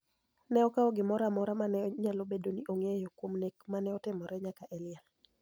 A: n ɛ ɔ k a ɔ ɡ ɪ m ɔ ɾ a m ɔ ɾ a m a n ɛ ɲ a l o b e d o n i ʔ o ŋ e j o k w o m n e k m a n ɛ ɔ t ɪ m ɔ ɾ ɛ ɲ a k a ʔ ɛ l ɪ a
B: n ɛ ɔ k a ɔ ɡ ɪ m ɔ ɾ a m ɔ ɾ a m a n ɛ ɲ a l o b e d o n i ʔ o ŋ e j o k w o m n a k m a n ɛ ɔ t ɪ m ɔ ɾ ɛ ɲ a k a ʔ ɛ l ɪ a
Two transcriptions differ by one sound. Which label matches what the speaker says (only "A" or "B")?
A